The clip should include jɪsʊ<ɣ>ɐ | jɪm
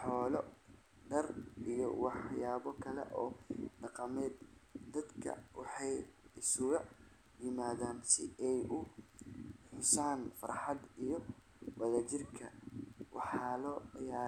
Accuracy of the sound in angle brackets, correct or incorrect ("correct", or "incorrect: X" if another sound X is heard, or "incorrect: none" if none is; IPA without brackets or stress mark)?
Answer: correct